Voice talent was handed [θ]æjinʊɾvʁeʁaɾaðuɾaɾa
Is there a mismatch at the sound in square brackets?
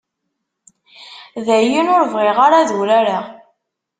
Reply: yes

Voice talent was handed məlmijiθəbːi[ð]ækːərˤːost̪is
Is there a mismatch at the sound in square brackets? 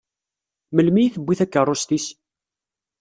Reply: yes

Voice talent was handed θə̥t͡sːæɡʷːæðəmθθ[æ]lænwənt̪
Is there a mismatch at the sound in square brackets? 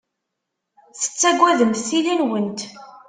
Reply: yes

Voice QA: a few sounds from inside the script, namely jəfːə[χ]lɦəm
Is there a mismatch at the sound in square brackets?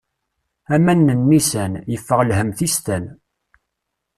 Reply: yes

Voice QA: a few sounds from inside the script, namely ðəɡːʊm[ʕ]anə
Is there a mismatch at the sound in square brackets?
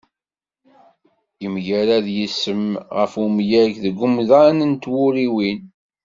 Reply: yes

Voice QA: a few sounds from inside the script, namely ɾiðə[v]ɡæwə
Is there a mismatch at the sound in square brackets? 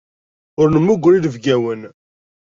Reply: no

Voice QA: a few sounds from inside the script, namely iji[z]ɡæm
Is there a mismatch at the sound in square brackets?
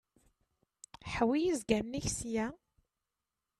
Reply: no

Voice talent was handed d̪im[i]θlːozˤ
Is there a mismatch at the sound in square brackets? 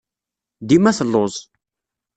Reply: yes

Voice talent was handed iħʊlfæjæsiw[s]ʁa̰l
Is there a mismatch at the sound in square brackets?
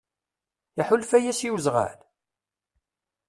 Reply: yes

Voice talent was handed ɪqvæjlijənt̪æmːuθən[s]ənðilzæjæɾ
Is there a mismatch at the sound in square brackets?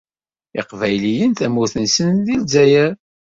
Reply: no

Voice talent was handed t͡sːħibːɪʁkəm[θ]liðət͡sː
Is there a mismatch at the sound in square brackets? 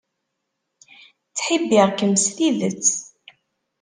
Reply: yes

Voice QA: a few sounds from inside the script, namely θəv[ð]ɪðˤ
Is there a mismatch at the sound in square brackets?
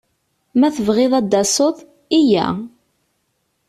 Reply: yes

